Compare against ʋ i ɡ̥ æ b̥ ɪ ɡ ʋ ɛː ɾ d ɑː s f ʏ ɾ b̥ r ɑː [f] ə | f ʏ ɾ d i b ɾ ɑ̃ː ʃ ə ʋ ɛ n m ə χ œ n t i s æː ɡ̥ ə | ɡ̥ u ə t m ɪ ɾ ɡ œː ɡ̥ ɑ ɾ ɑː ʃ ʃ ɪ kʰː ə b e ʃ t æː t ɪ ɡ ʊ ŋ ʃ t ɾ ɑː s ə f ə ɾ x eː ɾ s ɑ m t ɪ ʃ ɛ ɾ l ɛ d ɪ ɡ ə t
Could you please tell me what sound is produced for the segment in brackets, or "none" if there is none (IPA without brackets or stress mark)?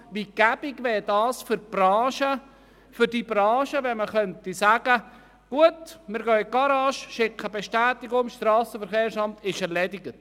ʃ